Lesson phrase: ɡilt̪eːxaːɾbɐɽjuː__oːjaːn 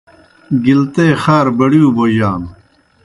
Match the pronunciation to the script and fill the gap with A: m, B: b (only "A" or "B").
B